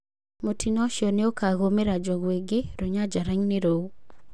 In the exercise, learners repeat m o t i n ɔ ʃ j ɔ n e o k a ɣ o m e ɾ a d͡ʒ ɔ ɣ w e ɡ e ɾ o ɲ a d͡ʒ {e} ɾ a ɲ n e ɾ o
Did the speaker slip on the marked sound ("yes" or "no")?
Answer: yes